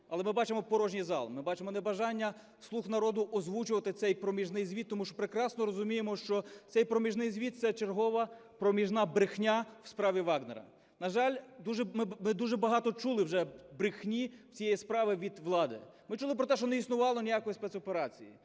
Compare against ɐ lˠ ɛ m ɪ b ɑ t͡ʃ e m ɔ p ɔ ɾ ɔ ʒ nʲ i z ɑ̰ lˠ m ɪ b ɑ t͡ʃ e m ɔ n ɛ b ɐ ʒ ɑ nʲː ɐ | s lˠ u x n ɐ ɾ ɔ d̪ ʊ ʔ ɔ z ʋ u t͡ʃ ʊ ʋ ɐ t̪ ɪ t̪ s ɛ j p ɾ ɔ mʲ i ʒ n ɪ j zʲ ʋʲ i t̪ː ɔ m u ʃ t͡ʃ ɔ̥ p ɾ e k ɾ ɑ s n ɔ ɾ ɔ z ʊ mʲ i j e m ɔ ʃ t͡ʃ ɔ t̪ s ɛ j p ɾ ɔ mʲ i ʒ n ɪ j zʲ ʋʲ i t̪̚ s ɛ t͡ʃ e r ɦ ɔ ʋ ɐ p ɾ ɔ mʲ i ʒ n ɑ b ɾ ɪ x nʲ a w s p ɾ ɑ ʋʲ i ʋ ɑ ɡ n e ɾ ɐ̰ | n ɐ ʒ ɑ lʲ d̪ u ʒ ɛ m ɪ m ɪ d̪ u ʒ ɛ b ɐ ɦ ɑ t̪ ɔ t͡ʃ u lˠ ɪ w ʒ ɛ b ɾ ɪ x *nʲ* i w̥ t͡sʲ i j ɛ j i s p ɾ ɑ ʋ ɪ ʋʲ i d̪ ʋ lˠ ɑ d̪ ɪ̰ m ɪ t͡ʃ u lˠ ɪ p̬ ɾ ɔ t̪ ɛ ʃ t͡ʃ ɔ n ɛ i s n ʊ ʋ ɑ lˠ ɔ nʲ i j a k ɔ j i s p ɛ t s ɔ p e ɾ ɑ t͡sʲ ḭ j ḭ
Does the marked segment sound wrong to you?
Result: no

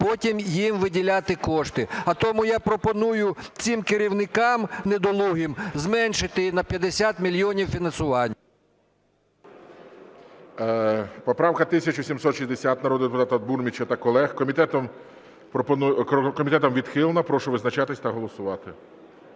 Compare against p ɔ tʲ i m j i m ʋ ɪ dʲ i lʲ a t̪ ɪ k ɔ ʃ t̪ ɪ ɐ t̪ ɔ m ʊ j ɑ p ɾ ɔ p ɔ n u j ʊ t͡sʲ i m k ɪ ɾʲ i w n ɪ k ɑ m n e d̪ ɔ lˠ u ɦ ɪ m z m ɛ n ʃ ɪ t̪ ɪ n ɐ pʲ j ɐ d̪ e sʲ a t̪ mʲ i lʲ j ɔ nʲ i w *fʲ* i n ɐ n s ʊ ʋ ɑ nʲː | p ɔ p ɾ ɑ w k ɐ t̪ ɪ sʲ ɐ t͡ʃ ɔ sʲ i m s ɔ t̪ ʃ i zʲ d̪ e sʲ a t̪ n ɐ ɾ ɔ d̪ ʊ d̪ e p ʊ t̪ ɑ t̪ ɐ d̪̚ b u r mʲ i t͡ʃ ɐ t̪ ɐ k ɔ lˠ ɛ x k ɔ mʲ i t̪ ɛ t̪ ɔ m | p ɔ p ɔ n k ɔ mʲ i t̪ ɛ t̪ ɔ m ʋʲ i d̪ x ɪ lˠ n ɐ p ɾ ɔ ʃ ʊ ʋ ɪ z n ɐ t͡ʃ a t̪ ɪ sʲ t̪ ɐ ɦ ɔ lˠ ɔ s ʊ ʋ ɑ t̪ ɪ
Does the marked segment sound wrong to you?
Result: no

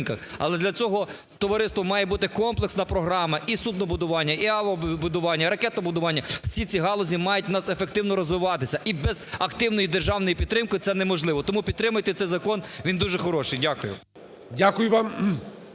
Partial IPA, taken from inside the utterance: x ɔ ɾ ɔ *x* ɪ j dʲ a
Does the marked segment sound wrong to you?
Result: yes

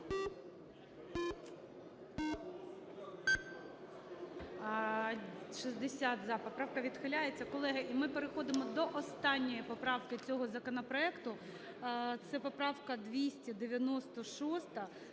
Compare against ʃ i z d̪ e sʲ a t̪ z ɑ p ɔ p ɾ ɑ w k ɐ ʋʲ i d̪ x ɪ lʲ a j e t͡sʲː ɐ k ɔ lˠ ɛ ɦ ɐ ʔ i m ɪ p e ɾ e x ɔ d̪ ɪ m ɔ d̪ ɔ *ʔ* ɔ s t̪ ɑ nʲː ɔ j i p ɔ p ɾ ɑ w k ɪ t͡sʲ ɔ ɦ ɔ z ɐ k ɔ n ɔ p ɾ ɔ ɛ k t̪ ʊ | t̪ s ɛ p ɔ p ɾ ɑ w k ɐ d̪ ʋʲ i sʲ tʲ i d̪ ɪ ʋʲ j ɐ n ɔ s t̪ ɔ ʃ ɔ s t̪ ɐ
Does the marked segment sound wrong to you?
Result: no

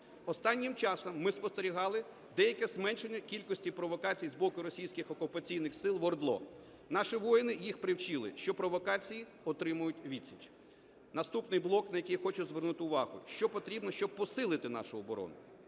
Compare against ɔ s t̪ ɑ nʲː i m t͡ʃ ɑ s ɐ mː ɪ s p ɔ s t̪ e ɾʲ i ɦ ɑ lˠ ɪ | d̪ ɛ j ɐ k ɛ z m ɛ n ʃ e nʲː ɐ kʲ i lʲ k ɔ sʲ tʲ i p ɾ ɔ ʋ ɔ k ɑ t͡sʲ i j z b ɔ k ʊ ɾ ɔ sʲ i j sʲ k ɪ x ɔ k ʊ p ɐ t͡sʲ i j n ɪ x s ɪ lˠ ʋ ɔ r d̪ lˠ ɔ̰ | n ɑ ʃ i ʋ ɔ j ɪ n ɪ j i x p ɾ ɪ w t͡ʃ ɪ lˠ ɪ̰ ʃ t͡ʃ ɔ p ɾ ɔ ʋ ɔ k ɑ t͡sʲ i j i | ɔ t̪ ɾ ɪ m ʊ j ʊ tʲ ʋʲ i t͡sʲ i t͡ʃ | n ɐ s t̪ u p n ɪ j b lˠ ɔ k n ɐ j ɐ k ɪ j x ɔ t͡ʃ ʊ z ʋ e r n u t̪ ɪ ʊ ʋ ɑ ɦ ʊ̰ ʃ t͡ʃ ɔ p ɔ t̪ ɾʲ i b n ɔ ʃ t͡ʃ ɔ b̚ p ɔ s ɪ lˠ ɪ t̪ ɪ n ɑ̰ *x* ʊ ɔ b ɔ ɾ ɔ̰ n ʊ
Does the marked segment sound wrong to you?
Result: yes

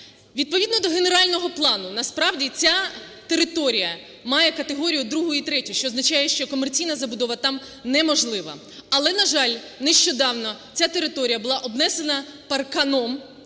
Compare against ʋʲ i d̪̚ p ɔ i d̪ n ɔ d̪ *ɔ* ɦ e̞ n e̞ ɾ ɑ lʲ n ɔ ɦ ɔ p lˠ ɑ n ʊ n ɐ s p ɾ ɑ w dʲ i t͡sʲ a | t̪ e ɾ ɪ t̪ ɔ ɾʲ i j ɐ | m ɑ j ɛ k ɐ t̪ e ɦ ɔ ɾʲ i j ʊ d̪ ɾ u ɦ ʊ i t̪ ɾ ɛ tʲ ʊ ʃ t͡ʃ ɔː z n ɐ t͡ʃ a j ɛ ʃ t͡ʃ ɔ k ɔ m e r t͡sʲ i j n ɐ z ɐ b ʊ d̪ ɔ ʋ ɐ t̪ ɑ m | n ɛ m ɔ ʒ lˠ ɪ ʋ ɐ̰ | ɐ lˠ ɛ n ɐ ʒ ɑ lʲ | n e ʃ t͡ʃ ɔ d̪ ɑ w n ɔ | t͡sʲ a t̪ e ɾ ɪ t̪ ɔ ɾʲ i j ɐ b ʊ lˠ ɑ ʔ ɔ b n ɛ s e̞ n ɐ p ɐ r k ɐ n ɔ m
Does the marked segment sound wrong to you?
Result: no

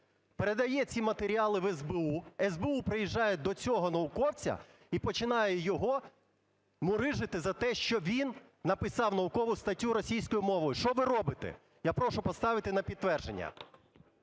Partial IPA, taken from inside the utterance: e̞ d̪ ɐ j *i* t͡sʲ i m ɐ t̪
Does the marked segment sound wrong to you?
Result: yes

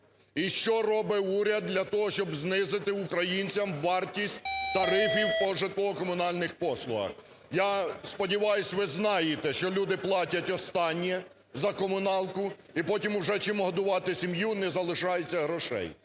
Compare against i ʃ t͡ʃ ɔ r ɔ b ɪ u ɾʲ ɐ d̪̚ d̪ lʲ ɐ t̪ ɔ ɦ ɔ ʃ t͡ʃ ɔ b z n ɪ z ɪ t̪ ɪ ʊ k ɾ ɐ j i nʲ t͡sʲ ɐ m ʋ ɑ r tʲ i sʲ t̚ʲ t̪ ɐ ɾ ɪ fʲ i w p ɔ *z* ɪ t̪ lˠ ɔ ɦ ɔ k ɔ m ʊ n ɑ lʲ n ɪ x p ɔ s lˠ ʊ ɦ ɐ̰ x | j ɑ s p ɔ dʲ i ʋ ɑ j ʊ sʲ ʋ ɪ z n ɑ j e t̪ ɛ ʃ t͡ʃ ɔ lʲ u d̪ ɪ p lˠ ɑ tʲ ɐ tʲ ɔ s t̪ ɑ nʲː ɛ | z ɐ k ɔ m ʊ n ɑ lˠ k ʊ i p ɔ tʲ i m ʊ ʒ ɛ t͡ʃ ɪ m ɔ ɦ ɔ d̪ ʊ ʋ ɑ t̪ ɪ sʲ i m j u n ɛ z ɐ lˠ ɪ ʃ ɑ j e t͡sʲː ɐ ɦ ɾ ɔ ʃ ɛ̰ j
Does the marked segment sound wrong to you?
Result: yes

